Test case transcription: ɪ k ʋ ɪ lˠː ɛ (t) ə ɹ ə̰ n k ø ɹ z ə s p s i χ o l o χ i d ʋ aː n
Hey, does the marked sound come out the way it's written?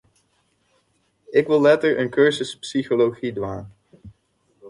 yes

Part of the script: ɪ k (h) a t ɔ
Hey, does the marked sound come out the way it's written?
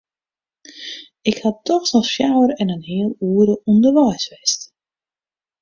yes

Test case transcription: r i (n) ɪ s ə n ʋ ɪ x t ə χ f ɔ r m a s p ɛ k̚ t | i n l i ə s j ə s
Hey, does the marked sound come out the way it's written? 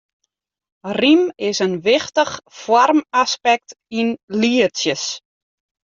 no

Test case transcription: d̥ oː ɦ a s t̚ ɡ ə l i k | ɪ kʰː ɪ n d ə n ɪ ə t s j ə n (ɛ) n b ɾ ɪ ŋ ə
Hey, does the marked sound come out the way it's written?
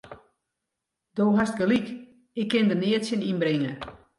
no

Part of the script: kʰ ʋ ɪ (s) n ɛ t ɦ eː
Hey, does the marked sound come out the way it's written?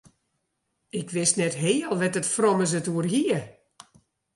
yes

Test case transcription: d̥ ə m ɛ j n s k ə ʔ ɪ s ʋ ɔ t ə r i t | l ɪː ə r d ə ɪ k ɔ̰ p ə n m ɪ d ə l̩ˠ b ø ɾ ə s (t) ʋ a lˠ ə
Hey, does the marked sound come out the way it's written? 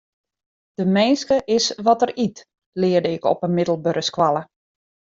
no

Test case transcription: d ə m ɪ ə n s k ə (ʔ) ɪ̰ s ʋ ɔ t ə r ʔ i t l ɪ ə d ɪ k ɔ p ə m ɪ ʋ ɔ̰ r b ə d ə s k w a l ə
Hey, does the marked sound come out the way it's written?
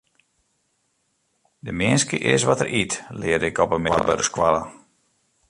yes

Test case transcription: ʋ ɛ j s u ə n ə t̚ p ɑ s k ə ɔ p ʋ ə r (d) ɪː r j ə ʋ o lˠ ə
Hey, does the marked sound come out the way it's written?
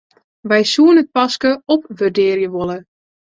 yes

